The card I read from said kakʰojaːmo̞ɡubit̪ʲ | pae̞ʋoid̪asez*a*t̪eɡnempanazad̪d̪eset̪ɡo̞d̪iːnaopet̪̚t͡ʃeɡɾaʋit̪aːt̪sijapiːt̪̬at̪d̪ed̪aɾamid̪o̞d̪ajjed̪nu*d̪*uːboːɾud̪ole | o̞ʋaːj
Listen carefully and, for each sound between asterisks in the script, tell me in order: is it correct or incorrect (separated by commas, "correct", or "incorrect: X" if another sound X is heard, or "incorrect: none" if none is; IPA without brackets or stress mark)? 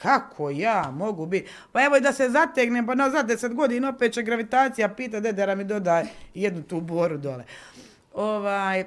correct, incorrect: t̪